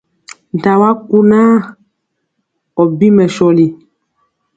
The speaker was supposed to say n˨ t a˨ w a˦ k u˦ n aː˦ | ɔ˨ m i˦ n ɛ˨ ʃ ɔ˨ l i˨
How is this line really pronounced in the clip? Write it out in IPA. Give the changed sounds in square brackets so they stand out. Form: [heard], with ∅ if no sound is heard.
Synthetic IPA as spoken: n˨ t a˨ w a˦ k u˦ n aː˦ | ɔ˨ [b] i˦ [m] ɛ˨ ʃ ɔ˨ l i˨